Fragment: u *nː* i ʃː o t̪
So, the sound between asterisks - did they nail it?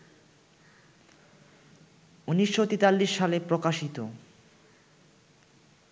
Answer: no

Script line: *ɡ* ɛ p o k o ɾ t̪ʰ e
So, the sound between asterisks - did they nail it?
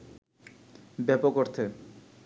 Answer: no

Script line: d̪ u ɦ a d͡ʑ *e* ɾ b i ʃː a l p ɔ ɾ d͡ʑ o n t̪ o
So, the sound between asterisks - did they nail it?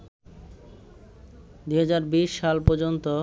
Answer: no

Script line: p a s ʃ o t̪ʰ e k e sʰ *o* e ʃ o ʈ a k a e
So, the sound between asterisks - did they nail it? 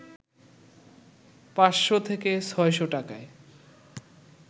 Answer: no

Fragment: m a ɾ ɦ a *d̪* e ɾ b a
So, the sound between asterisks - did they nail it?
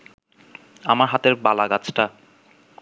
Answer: no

